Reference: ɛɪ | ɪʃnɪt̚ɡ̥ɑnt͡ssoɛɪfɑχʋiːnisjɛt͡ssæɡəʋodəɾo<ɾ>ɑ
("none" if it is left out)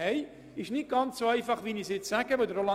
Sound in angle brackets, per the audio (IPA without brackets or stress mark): l